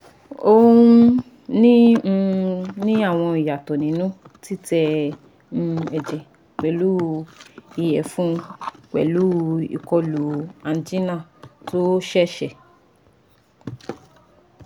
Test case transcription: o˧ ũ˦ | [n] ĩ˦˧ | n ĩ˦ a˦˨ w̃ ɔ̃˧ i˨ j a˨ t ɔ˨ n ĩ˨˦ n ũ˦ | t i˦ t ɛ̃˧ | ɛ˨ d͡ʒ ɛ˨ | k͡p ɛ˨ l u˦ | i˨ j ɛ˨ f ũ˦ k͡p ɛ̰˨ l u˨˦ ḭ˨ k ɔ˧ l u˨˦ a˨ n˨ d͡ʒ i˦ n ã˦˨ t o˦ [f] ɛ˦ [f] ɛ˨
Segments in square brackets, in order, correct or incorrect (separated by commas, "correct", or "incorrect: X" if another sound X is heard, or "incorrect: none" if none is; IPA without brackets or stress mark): correct, incorrect: ʃ, incorrect: ʃ